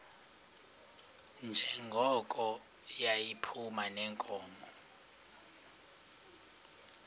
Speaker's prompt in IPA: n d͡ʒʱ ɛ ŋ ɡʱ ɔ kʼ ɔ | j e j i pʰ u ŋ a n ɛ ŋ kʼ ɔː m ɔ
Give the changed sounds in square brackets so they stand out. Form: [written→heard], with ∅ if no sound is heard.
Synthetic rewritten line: n d͡ʒʱ ɛ ŋ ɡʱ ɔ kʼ ɔ | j [e→a] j i pʰ u [ŋ→m] a n ɛ ŋ kʼ ɔː m ɔ

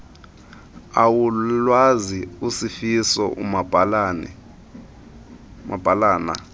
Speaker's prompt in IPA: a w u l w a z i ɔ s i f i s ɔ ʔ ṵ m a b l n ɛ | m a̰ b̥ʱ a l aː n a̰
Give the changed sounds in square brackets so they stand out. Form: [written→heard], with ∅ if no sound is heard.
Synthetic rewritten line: a w u l w a z i [ɔ→u] s i f i s ɔ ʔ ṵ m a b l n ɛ | m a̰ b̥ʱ a l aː n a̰

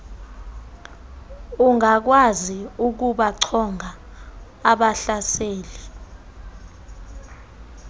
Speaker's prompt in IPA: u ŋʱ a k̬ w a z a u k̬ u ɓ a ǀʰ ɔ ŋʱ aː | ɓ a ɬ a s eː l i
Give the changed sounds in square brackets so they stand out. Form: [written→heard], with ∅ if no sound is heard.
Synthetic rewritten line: u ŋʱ a k̬ w a z [a→i] u k̬ u ɓ a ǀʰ ɔ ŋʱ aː | ɓ a ɬ a s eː l i

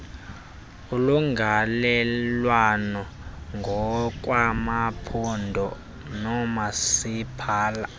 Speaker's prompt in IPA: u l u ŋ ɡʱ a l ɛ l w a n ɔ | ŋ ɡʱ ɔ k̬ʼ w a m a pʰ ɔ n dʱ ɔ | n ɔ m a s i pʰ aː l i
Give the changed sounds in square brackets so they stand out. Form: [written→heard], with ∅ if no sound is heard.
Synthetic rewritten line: u l u ŋ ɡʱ a l ɛ l w a n ɔ | ŋ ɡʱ ɔ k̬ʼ w a m a pʰ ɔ n dʱ ɔ | n ɔ m a s i pʰ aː l [i→a]

